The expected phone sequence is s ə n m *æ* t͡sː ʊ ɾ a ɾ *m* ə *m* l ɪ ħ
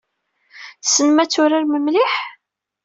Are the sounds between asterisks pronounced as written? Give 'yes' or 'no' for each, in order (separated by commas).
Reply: yes, yes, yes